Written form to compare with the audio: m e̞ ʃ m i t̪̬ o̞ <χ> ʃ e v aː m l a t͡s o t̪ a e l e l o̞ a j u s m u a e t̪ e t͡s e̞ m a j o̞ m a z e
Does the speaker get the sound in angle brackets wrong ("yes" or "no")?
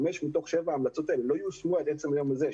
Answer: no